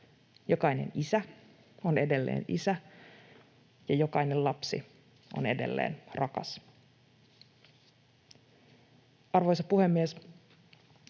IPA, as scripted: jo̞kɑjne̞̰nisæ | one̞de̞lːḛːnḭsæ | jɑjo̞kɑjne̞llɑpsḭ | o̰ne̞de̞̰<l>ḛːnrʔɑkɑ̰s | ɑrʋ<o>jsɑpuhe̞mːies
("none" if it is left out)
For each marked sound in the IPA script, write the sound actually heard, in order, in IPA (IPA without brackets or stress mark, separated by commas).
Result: lː, o